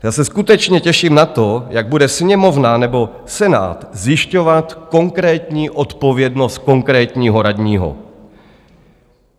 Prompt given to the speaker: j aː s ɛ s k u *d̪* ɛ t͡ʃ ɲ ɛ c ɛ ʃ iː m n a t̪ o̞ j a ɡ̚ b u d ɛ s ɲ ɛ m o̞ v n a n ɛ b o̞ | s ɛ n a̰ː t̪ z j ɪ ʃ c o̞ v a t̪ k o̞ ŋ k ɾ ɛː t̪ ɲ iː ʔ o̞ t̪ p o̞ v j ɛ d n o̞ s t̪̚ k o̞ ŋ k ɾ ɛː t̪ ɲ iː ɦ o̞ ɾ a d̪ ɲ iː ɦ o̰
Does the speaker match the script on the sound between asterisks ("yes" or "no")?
no